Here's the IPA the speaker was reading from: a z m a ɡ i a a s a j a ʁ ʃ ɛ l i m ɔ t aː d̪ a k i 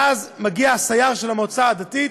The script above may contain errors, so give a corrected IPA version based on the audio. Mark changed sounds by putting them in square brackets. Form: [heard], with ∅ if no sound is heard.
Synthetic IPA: a z m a ɡ i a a s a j a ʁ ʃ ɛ l [a] m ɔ [t͡s] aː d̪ a [t] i